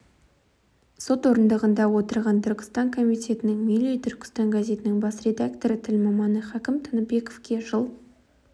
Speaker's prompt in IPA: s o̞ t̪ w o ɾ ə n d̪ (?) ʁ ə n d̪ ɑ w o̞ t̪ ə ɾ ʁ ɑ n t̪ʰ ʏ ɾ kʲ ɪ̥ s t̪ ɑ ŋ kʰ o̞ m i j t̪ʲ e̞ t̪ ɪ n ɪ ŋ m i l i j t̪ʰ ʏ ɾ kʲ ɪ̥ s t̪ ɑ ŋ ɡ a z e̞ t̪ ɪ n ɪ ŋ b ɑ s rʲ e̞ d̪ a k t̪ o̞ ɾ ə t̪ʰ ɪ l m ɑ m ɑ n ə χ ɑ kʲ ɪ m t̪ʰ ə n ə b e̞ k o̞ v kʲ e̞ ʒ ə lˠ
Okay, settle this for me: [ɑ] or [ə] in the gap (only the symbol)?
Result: ə